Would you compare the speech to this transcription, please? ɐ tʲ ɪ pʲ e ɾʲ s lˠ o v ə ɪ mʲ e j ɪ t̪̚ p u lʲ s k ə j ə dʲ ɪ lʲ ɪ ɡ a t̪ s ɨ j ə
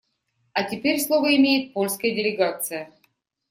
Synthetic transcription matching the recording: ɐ tʲ ɪ pʲ e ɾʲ s lˠ o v ə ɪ mʲ e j ɪ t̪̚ p o lʲ s k ə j ə dʲ ɪ lʲ ɪ ɡ a t̪ s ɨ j ə